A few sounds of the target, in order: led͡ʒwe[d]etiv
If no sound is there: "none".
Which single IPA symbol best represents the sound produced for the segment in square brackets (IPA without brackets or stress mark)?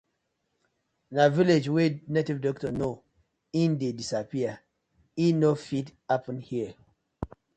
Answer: n